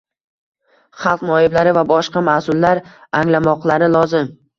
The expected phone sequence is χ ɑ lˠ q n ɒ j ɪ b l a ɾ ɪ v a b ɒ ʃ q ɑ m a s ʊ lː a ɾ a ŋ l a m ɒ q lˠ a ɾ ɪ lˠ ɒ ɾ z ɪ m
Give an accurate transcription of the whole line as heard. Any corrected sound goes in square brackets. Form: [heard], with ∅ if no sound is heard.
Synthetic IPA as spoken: χ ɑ lˠ q n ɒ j ɪ b l a ɾ ɪ v a b ɒ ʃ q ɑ m a s ʊ lː a ɾ a ŋ l a m ɒ q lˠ a ɾ ɪ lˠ ɒ [∅] z ɪ m